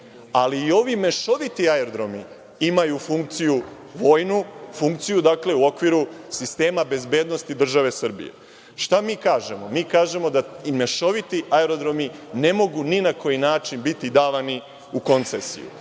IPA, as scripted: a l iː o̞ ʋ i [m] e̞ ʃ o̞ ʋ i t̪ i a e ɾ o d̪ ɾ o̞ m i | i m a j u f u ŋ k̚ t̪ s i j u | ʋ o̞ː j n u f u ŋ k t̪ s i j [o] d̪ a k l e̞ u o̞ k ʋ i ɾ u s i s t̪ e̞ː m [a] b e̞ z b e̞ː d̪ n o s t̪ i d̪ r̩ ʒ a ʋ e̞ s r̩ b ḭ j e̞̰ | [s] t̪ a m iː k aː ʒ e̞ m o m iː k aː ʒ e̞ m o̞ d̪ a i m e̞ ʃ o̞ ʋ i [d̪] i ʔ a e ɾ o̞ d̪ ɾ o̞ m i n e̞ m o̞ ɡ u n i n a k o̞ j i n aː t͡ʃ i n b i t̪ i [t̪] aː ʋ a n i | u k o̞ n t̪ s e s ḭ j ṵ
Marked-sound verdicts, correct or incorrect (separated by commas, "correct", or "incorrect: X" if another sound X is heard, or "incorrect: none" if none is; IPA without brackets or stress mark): correct, incorrect: u, correct, incorrect: ʃ, incorrect: t̪, incorrect: d̪